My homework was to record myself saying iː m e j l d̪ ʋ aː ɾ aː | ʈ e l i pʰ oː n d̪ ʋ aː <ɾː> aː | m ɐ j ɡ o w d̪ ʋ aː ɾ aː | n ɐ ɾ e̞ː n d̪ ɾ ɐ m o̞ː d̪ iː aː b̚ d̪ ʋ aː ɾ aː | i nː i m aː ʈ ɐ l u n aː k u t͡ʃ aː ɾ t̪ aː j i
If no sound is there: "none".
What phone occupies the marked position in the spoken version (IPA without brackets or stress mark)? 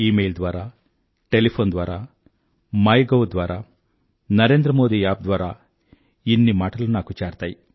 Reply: ɾ